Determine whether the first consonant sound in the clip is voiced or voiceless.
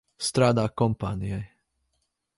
voiceless